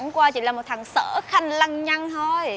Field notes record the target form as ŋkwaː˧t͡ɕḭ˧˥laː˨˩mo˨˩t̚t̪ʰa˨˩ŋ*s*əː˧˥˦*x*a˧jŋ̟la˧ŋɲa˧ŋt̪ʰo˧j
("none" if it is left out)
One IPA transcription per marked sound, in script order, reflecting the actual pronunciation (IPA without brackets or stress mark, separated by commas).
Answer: s, x